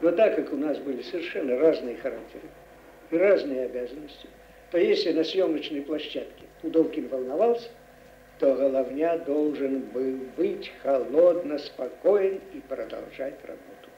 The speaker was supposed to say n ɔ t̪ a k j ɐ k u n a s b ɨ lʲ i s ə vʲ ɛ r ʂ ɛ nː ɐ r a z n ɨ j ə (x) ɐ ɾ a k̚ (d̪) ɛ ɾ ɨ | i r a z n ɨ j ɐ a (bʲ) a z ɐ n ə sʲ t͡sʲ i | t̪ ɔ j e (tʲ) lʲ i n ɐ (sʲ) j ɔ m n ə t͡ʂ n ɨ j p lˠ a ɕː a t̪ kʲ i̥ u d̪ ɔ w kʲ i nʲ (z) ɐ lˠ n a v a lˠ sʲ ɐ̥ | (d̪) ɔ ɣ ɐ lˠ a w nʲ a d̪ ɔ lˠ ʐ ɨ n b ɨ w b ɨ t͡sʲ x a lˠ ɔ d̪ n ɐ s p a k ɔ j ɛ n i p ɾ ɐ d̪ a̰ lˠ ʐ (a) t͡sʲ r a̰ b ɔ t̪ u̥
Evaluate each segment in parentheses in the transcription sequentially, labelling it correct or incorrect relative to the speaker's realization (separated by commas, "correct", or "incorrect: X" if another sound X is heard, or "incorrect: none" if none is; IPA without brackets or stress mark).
correct, incorrect: t̪, correct, incorrect: sʲ, correct, incorrect: v, incorrect: t̪, correct